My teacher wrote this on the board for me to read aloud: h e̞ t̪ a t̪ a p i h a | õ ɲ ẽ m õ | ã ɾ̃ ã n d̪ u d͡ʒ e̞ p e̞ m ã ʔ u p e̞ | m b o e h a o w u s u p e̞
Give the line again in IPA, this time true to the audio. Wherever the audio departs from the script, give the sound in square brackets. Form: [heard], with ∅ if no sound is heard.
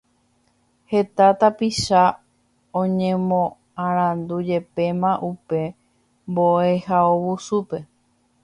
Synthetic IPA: h e̞ t̪ a t̪ a p i [ʃ] a | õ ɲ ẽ m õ | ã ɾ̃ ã n d̪ u d͡ʒ e̞ p e̞ m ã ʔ u p e̞ | m b o e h a o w u s u p e̞